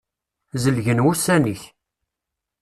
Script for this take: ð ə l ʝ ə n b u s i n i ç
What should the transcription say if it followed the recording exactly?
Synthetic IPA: z ə l ʝ ə n w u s æ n i ç